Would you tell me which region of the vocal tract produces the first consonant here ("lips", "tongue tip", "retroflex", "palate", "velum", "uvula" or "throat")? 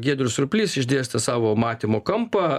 velum